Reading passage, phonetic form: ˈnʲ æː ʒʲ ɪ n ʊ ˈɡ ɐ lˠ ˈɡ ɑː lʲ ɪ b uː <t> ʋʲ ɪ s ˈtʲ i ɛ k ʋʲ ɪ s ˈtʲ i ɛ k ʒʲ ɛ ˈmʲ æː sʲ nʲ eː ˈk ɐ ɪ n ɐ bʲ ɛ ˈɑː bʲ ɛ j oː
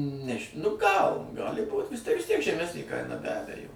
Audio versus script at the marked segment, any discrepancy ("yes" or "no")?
no